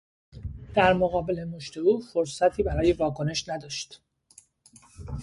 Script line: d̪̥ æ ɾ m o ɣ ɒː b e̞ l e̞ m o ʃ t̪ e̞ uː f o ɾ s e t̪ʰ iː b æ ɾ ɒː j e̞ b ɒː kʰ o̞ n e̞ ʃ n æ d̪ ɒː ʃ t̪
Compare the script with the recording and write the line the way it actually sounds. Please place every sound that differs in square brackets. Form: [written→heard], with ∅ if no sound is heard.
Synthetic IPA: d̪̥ æ ɾ m o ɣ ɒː b e̞ l e̞ m o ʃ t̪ e̞ uː f o ɾ s [e→æ] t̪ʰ iː b æ ɾ ɒː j e̞ [b→v] ɒː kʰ o̞ n e̞ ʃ n æ d̪ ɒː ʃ t̪